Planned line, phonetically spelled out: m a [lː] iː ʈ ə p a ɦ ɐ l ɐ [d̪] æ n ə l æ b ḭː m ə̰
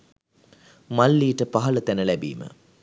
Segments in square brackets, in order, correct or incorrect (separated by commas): correct, incorrect